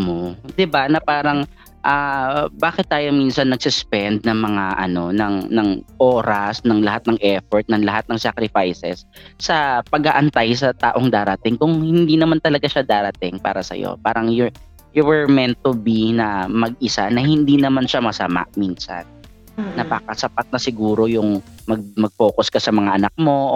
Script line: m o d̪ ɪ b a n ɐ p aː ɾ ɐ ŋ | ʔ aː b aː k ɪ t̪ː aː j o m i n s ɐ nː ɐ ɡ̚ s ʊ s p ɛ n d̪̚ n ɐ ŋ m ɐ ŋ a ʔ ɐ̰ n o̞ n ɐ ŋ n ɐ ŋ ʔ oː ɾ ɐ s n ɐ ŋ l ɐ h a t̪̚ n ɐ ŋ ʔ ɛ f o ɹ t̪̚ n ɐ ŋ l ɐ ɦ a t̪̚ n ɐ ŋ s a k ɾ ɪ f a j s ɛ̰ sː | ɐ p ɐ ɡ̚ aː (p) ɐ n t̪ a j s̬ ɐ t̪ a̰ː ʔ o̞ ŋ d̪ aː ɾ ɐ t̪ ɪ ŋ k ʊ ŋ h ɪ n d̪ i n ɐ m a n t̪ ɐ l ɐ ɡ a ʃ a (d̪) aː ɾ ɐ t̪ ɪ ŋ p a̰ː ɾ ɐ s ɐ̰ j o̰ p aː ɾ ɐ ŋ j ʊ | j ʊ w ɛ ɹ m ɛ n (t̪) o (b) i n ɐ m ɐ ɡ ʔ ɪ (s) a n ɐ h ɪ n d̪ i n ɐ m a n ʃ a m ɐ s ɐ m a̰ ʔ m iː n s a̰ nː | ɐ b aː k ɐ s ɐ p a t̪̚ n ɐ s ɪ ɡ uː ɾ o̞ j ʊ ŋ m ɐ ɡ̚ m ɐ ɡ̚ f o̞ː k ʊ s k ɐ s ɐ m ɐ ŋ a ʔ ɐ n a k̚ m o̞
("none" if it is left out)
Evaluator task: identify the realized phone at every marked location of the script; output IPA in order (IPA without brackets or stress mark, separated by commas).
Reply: ʔ, d̪, t̪, b, s